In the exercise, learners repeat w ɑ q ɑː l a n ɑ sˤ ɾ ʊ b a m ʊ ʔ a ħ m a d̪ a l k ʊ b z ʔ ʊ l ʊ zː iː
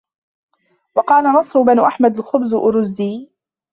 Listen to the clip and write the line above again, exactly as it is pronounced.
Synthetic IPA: w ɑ q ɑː l a n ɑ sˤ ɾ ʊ b a n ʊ ʔ a ħ m a d̪ a l x ʊ b z ʔ ʊ ɾ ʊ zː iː